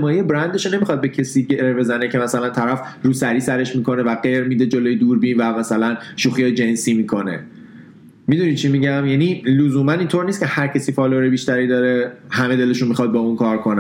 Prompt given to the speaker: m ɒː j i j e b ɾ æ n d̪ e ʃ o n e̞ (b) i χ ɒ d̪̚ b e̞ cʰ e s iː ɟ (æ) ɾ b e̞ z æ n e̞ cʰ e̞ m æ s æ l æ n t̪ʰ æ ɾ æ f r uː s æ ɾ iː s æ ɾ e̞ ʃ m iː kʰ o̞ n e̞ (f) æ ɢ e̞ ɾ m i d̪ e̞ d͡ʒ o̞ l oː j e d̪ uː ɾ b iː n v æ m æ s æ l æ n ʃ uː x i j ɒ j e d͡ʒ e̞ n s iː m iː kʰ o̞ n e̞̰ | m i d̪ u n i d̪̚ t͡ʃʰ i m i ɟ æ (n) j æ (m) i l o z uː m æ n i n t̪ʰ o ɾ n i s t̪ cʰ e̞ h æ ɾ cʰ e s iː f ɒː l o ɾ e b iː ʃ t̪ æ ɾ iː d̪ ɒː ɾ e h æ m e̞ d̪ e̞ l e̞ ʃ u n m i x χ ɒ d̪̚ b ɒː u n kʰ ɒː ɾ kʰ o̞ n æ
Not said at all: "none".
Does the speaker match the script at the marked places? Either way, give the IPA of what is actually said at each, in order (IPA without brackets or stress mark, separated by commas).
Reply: m, e, v, m, n